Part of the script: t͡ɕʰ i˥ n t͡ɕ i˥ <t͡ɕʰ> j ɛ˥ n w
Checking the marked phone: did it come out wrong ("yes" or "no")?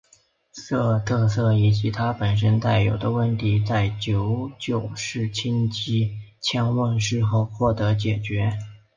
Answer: no